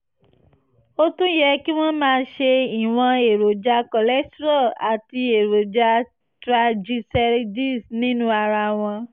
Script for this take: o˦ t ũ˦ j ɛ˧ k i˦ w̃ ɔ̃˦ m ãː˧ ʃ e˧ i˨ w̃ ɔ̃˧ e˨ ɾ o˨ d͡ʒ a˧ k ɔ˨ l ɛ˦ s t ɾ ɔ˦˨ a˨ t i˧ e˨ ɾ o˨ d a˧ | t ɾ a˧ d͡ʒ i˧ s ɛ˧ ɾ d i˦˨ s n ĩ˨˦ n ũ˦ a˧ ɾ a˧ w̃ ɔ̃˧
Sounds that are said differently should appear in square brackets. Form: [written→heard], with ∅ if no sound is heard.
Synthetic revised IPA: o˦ t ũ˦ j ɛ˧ k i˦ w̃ ɔ̃˦ m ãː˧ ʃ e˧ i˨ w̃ ɔ̃˧ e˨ ɾ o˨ d͡ʒ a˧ k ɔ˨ l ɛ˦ s t ɾ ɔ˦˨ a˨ t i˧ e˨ ɾ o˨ [d→d͡ʒ] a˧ | t ɾ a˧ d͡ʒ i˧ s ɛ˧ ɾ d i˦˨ s n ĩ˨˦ n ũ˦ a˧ ɾ a˧ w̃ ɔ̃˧